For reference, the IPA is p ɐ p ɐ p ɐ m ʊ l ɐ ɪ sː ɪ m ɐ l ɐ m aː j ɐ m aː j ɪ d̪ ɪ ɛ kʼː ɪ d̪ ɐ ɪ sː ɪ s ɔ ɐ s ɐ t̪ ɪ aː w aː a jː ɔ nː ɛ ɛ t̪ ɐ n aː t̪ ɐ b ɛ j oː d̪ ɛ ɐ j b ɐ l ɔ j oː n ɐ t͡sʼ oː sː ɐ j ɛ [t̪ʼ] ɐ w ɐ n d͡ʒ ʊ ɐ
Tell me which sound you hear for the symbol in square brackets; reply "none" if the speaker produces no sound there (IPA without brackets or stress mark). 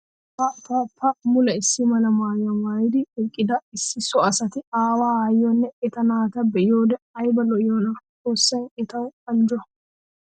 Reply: t̪